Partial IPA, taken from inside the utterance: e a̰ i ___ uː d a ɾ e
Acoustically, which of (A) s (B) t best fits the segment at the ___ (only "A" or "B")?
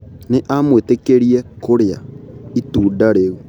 B